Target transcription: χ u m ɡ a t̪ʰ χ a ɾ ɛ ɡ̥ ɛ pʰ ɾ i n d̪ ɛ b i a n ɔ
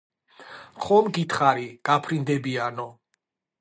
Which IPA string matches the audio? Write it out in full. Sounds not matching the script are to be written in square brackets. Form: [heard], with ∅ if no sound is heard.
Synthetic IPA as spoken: χ [ɔ] m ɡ [i] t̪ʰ χ a ɾ [i] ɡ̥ [a] pʰ ɾ i n d̪ ɛ b i a n ɔ

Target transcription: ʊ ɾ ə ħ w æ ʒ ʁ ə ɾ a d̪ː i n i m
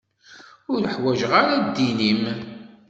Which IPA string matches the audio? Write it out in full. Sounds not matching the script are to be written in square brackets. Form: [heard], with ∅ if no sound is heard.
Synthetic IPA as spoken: ʊ ɾ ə ħ w æ ʒ ʁ [a] ɾ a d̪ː i n i m

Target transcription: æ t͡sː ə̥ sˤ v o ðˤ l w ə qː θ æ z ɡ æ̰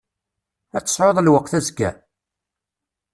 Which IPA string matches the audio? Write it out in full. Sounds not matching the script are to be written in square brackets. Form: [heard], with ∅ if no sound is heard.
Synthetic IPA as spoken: æ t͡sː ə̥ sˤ [ʕ] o ðˤ l w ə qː θ æ z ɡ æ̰

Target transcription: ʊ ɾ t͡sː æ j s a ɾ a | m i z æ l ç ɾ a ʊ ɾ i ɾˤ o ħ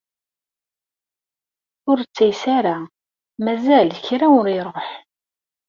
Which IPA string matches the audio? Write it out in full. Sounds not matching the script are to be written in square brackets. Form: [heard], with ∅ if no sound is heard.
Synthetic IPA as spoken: ʊ ɾ t͡sː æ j s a ɾ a | m [æ] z æ l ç ɾ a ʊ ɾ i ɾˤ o ħ

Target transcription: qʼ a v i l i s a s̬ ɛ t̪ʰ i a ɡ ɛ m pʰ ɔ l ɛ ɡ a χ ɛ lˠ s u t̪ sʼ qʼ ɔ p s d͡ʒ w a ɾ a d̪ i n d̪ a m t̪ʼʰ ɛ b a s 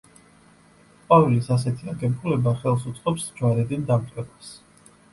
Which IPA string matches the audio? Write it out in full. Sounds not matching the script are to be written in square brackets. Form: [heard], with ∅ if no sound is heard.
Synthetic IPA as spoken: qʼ a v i l i s a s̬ ɛ t̪ʰ i a ɡ ɛ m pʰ [u] l ɛ [b] a χ ɛ lˠ s u t̪ sʼ qʼ ɔ p s d͡ʒ w a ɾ [ɛ] d̪ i n d̪ a m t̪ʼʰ ɛ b a s

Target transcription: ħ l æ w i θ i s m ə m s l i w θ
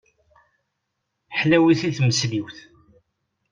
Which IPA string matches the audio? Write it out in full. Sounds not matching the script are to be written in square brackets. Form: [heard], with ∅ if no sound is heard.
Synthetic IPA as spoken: ħ l æ w i θ i [θ] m ə [∅] s l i w θ

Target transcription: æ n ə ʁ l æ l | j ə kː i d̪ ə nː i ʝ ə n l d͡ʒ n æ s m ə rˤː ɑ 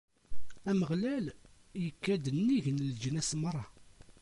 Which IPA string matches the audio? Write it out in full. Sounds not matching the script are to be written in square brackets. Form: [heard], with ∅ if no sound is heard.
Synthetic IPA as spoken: æ [m] ə ʁ l æ l | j ə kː [æ] d̪ ə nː i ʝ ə n l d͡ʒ n æ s m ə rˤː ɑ

